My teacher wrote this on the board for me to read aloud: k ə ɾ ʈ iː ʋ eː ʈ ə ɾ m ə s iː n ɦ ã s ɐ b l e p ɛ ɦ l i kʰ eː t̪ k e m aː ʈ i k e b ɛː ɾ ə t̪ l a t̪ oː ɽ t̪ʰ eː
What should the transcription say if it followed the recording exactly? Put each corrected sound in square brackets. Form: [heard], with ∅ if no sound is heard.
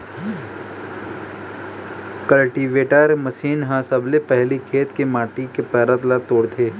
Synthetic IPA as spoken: k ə [l] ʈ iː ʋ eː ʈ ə ɾ m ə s iː n ɦ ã s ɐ b l e p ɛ ɦ l i kʰ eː t̪ k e m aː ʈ i k e [p] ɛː ɾ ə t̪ l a t̪ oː ɽ t̪ʰ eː